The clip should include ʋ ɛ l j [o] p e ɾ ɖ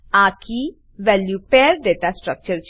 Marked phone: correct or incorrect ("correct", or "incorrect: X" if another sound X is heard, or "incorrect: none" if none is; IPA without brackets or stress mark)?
incorrect: u